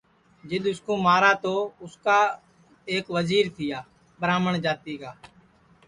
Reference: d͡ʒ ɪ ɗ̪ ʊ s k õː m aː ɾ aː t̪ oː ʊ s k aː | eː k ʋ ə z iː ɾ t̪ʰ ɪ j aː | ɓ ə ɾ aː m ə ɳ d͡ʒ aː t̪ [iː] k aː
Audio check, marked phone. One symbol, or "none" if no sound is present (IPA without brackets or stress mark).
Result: iː